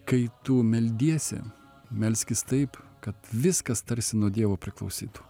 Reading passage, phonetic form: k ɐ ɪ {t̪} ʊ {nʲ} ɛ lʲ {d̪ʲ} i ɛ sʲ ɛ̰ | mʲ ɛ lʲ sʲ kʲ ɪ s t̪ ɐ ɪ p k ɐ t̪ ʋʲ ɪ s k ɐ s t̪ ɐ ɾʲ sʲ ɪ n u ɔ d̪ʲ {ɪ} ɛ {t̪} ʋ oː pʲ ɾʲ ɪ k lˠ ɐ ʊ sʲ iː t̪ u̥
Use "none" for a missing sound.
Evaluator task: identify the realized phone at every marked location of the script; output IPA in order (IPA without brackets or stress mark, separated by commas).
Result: t̪, mʲ, d̪ʲ, i, none